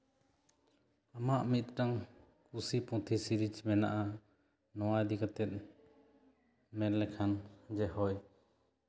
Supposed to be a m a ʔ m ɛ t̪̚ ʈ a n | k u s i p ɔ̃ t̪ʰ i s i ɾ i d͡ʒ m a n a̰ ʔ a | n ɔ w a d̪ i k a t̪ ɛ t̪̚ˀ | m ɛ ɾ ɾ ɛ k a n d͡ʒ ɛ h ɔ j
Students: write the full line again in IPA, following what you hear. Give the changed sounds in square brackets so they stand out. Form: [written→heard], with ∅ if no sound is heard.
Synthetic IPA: a m a ʔ m [ɛ→i] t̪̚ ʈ a [n→ŋ] | k u s i p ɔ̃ t̪ʰ i s i ɾ i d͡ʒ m [a→ɛ] n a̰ ʔ a | n ɔ w a d̪ i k a t̪ ɛ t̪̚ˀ | m ɛ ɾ [ɾ→l] ɛ [k→kʰ] a n d͡ʒ ɛ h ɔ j